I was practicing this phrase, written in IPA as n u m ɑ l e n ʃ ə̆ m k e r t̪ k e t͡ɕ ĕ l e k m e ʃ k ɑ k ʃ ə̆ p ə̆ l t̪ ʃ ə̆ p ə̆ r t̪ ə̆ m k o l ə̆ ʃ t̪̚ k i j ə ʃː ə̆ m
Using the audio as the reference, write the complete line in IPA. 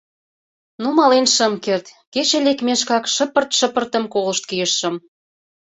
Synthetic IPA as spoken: n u m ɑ l e n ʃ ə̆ m k e r t̪ k e t͡ɕ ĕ l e k m e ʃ k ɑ k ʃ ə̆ p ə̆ r t̪ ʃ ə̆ p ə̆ r t̪ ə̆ m k o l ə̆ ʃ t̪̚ k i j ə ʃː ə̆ m

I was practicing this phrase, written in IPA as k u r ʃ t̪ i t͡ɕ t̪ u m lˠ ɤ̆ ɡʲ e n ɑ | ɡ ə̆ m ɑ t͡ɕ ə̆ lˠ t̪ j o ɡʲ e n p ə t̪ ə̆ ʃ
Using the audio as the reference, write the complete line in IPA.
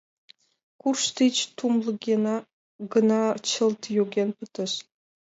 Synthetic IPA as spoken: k u r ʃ t̪ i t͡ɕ t̪ u m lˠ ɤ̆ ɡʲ e n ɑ | ɡ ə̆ n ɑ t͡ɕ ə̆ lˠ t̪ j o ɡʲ e n p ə t̪ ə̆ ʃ

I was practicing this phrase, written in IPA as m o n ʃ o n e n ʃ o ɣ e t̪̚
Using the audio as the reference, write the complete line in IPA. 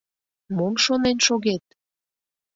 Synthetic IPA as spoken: m o m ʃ o n e n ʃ o ɣ e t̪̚

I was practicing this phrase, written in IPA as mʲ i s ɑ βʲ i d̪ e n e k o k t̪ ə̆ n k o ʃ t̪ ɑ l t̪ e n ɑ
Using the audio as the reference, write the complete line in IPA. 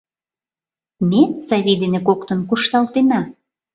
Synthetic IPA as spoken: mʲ e s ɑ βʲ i d̪ e n e k o k t̪ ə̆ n k u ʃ t̪ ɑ l t̪ e n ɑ

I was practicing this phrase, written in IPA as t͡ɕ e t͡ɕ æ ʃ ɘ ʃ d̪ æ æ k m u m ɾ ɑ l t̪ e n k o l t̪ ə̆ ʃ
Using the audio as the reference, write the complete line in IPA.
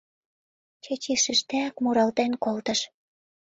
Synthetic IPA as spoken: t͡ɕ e t͡ɕ i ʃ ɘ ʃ t̪ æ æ k m u ɾ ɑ l t̪ e n k o l t̪ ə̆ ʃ

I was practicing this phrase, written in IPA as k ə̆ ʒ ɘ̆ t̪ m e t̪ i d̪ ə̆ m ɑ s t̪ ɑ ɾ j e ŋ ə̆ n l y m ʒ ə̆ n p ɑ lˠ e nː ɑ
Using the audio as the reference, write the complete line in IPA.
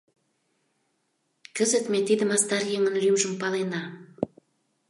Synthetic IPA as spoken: k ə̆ z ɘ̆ t̪ m e t̪ i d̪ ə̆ m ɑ s t̪ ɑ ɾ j e ŋ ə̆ n l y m ʒ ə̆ m p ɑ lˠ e n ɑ

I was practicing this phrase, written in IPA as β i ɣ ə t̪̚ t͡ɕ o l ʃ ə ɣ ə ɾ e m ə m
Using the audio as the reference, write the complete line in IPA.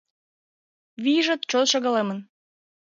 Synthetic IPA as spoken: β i ʒ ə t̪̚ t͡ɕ o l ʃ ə ɣ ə l e m ə n

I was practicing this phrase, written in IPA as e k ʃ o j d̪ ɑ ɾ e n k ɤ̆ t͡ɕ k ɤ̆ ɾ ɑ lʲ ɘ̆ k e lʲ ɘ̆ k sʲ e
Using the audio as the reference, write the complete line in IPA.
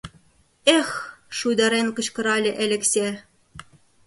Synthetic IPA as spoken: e x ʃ u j d̪ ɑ ɾ e n k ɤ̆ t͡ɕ k ɤ̆ ɾ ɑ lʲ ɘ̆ ʔ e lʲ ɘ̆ k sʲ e

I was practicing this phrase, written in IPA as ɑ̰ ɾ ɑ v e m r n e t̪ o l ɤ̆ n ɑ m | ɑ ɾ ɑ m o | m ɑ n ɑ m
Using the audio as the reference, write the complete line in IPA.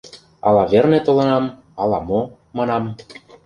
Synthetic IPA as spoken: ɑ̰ l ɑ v e r n e t̪ o l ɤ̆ n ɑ m | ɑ l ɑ m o | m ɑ n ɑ m

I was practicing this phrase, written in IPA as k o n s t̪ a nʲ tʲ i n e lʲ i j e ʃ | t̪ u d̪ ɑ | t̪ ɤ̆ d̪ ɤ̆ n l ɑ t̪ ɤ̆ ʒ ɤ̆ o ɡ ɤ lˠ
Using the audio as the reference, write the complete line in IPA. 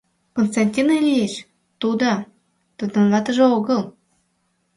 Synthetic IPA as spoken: k o n s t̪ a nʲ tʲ i n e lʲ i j e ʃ | t̪ u d̪ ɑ | t̪ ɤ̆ d̪ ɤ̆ n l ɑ t̪ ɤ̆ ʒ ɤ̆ o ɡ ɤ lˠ

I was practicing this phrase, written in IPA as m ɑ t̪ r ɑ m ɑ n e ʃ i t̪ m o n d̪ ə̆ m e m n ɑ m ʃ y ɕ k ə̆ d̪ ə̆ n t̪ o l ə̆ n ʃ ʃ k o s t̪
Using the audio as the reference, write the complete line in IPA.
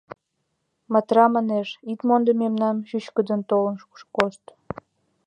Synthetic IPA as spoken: m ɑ t̪ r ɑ m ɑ n e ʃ i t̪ m o n d̪ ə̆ m e m n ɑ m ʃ y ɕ k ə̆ d̪ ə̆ n t̪ o l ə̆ n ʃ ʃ k o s t̪

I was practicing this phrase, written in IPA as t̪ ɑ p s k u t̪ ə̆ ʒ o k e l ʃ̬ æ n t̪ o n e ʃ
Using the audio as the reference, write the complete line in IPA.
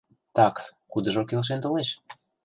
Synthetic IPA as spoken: t̪ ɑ k s k u d̪ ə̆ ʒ o k e l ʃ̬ e n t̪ o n e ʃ

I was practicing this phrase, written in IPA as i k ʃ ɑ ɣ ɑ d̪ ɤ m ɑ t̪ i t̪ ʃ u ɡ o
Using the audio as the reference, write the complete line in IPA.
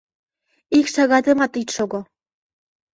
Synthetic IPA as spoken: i k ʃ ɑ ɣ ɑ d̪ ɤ m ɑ t̪ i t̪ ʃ o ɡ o

